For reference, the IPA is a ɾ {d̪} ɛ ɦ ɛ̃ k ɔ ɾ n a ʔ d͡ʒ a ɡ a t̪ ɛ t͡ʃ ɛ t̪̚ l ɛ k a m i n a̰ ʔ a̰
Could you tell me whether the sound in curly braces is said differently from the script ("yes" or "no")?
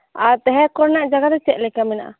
yes